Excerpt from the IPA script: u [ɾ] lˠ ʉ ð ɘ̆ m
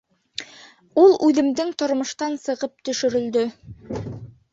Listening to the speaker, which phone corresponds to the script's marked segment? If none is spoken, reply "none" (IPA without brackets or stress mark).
none